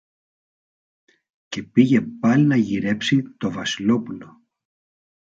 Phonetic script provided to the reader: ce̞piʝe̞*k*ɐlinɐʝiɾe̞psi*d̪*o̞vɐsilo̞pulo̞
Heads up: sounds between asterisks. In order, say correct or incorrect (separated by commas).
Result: incorrect, incorrect